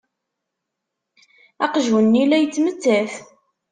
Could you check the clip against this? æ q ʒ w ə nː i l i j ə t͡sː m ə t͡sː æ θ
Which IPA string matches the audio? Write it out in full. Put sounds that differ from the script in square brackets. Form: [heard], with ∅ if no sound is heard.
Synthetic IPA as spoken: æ q ʒ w ə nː i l [æ] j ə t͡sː m ə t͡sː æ θ